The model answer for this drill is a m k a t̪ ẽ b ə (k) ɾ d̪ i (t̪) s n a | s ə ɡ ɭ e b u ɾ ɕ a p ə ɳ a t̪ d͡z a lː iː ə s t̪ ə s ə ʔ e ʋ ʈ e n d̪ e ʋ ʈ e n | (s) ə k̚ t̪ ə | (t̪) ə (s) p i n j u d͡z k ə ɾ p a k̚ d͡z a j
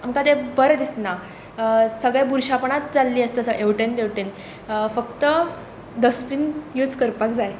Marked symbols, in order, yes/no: no, no, no, no, yes

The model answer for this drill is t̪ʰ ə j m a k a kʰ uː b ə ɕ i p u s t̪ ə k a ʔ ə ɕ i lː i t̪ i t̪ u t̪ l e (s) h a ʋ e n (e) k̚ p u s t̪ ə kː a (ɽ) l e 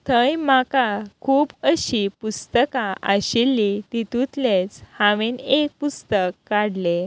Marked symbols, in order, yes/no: no, yes, yes

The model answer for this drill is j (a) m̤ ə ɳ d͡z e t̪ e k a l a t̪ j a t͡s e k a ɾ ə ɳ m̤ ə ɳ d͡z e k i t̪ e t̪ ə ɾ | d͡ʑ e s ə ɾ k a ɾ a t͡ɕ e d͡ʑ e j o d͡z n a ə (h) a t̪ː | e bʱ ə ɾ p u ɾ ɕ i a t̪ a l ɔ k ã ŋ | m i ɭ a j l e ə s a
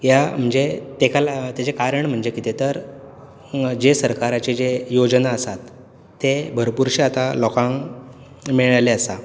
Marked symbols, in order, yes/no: yes, no

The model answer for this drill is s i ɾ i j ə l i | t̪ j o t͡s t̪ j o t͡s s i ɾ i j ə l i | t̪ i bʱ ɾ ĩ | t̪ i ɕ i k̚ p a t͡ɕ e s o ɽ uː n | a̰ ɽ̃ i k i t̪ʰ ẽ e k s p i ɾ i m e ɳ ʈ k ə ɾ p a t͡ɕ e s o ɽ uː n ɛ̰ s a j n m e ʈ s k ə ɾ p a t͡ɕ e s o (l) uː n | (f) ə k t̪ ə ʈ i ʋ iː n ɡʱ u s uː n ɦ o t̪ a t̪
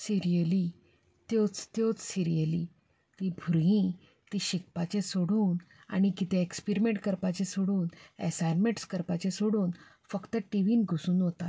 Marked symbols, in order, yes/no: no, yes

